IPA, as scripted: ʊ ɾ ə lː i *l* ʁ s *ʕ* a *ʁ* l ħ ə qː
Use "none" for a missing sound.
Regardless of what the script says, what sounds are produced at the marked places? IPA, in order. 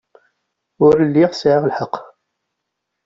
none, ʕ, ʁ

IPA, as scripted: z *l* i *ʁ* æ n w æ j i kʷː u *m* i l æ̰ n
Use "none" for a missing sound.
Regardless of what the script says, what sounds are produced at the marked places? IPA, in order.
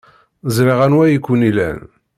ɾ, ʁ, n

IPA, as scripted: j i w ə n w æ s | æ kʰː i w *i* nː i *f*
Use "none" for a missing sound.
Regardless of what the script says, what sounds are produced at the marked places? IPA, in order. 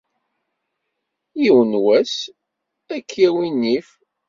i, f

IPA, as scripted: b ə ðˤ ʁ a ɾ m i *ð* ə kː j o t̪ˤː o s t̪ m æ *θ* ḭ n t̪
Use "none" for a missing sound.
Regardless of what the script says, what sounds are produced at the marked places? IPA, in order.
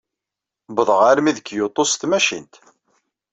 ð, ʃ

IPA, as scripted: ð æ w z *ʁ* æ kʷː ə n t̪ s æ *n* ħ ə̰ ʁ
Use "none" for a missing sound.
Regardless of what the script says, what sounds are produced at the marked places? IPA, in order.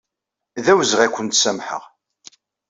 ʁ, m

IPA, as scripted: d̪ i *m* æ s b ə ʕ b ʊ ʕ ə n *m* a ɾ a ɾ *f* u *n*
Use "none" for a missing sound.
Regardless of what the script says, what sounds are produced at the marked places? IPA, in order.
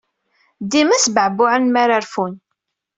m, m, f, n

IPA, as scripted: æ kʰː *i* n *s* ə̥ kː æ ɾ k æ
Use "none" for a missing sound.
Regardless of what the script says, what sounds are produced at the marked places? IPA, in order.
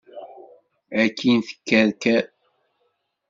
i, θ

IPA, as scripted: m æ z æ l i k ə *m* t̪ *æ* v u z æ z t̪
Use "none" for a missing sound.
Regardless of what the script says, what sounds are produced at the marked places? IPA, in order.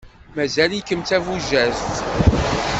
m, æ

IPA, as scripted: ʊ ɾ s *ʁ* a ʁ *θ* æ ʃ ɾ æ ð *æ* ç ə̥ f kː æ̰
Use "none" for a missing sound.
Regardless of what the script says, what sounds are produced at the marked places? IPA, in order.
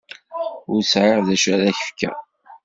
ʕ, ð, æ

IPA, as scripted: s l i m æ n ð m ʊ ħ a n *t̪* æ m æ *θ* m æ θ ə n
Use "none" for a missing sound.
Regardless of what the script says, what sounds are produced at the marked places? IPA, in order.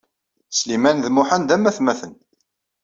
d̪, θ

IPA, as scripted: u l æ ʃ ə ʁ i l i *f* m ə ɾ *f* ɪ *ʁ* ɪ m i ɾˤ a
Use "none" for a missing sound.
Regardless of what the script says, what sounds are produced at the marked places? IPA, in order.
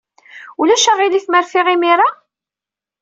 θ, f, ʁ

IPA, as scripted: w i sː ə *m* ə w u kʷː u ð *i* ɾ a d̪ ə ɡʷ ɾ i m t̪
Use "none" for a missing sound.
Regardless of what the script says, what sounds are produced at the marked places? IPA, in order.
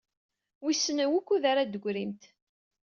n, a

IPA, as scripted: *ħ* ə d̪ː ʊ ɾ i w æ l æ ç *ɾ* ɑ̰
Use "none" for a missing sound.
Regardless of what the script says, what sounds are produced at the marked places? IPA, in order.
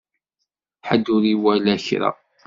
ħ, ɾ

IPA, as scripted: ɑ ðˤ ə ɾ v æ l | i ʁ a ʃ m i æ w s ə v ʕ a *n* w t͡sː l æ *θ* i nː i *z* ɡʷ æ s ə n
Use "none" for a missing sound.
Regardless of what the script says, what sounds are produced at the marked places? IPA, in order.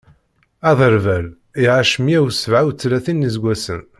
none, θ, z

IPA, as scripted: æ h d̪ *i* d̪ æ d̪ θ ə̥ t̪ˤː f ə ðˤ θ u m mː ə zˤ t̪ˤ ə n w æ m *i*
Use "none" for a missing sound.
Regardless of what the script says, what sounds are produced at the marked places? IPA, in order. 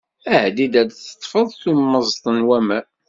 i, æ

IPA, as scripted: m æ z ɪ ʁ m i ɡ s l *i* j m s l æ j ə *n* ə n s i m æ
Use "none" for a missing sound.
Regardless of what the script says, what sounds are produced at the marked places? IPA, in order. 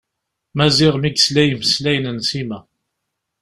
æ, n

